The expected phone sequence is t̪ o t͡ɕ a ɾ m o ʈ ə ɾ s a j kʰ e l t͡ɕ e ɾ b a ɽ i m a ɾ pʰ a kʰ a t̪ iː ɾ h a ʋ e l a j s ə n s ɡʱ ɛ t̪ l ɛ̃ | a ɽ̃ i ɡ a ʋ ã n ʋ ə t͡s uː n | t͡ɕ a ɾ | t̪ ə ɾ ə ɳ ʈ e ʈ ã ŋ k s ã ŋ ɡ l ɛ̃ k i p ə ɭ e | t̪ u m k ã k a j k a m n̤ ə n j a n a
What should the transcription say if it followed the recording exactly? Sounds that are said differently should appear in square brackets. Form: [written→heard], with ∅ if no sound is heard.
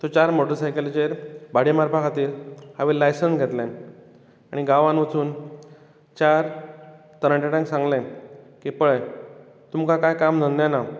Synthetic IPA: t̪ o t͡ɕ a ɾ m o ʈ ə ɾ s a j [kʰ→k] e l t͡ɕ e ɾ b a ɽ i m a ɾ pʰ a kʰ a t̪ iː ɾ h a ʋ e l a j s ə n s ɡʱ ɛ t̪ l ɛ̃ | a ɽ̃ i ɡ a ʋ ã n ʋ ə t͡s uː n | t͡ɕ a ɾ | t̪ ə ɾ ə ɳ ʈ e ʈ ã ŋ k s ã ŋ ɡ l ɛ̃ k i p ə ɭ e | t̪ u m k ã k a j k a m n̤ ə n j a n a